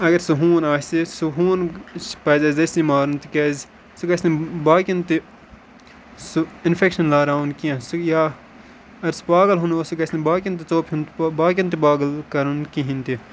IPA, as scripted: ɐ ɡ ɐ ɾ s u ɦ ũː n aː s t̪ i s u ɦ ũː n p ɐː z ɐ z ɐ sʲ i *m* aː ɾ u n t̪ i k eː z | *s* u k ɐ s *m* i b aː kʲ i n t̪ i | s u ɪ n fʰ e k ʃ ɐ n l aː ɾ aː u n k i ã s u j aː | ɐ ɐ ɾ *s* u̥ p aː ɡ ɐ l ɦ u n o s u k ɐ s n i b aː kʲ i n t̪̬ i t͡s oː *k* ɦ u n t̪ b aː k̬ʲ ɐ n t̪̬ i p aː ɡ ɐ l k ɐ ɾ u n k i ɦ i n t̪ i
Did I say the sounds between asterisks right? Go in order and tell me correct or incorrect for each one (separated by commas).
correct, correct, incorrect, correct, incorrect